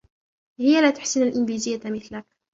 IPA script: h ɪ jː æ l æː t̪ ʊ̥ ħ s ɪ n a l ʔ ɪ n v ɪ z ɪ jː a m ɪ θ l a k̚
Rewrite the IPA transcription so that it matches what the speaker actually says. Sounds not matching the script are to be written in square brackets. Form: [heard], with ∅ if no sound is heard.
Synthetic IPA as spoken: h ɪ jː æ l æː t̪ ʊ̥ ħ s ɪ n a l ʔ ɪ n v [i] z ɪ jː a m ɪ θ l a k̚